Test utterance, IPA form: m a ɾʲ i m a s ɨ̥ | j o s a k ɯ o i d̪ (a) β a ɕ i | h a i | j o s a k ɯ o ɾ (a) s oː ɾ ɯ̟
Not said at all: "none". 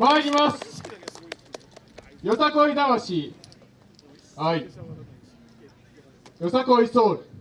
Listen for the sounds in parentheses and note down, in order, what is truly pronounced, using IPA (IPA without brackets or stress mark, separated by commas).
a, i